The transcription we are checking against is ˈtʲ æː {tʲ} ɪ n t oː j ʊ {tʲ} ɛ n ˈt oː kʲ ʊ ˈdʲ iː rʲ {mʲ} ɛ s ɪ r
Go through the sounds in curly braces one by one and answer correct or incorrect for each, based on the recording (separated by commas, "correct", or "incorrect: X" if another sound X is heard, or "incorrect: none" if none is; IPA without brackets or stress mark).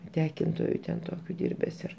incorrect: kʲ, correct, incorrect: bʲ